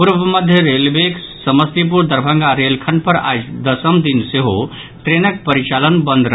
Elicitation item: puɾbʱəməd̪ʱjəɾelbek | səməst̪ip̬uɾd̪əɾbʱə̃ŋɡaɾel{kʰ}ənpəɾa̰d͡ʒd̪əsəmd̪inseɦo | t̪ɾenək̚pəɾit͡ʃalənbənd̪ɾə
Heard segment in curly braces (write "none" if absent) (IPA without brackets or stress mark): kʰ